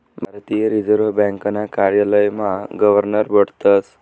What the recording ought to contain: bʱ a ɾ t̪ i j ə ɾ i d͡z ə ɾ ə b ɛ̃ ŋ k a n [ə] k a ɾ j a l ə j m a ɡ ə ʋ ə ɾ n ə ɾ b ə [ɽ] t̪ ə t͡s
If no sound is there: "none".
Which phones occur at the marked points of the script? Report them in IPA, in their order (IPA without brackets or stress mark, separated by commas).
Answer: a, ɽ